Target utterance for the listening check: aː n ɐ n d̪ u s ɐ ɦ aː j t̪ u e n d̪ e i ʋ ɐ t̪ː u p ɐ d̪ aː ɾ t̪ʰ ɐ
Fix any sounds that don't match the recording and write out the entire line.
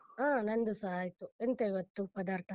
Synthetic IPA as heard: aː n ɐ n d̪ u s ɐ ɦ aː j t̪ u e n t̪ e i ʋ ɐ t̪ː u p ɐ d̪ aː ɾ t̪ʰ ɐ